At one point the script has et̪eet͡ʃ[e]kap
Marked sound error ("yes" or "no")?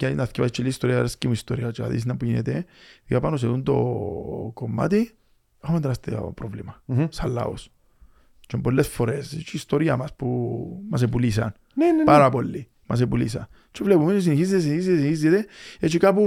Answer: yes